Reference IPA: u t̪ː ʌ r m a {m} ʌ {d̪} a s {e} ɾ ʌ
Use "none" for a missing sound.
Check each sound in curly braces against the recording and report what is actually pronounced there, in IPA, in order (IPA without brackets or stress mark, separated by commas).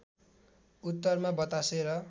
b, t̪, e